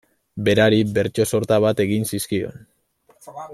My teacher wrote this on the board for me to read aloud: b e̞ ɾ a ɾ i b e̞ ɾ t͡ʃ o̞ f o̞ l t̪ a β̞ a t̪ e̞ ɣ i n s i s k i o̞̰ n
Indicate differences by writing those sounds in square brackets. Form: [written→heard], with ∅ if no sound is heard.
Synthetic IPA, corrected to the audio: b e̞ ɾ a ɾ i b e̞ ɾ t͡ʃ o̞ [f→s] o̞ [l→ɾ] t̪ a β̞ a t̪ e̞ ɣ i n s i s k i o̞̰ n